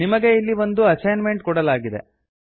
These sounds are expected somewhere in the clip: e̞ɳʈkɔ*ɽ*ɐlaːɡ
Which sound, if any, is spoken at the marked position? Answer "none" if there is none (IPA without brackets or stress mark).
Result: ɽ